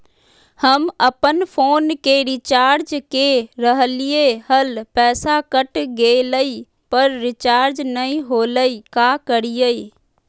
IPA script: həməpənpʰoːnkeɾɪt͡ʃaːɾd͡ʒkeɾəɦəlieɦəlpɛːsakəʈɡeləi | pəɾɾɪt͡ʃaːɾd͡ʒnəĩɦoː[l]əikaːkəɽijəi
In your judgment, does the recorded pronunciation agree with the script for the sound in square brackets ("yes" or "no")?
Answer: yes